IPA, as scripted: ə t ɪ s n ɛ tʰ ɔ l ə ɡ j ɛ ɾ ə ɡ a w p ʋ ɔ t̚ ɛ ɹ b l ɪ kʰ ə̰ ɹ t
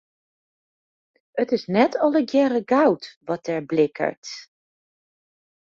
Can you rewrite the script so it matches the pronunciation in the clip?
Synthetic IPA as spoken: ə t ɪ s n ɛ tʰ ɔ l ə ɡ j ɛ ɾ ə ɡ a w t ʋ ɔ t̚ ɛ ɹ b l ɪ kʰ ə̰ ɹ t